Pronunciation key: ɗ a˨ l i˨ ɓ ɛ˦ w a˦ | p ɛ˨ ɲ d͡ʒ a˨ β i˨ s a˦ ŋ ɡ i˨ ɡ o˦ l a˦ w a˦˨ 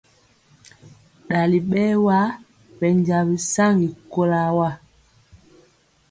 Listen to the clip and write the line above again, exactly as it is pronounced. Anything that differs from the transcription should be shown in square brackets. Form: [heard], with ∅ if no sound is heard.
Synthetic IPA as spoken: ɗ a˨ l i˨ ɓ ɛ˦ w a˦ | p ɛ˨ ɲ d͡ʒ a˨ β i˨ s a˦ ŋ ɡ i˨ [k] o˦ l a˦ w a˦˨